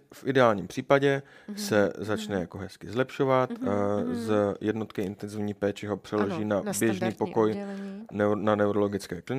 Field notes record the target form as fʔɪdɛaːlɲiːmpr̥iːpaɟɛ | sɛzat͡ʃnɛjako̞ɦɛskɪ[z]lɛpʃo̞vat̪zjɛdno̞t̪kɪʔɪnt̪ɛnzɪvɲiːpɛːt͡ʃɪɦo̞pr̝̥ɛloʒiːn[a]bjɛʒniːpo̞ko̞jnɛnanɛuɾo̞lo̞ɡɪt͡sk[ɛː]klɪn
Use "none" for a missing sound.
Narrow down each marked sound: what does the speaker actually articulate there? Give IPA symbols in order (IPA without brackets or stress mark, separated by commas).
z, a, ɛː